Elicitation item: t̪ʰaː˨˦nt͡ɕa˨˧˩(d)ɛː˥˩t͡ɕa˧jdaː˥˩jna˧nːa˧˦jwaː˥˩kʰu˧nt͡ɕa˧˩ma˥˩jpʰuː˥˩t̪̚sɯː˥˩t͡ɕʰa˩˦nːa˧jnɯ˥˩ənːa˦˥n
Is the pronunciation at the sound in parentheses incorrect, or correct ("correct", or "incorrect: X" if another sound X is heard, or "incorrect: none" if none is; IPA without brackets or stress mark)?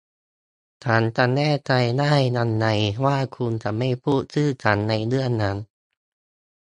incorrect: n